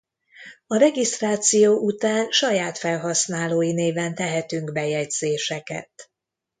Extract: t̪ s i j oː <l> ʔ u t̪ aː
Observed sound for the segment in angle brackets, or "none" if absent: none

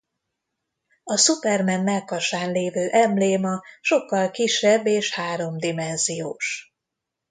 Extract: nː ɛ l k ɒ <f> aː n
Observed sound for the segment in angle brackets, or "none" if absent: ʃ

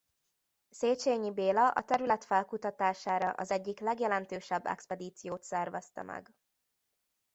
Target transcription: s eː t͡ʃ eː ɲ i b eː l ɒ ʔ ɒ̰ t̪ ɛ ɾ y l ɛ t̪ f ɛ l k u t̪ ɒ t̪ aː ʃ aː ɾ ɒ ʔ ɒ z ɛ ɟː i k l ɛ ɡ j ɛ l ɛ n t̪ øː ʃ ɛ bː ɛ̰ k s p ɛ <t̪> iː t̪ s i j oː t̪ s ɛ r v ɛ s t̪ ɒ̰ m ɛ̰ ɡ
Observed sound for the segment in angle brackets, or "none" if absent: d̪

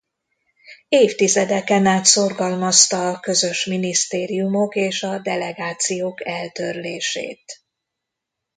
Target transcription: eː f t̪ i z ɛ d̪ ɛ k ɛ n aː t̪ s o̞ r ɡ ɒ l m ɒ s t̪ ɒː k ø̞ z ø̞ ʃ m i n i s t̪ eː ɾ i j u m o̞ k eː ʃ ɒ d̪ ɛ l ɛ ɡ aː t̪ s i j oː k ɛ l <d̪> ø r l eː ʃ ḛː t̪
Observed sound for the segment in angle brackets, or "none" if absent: t̪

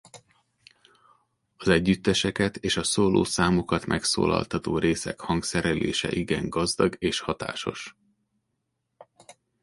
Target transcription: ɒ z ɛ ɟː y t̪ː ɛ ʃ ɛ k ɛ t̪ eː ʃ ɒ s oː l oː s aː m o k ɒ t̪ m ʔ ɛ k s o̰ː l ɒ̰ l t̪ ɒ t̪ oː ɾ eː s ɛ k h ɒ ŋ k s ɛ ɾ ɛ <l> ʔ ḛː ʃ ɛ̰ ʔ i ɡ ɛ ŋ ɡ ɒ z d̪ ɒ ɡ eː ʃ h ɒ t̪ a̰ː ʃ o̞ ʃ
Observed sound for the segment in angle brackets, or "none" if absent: l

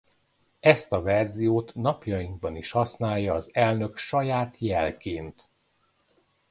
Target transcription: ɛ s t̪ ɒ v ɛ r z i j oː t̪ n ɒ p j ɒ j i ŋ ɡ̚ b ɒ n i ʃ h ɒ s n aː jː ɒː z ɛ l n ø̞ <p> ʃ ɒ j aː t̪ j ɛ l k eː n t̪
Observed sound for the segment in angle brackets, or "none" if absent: k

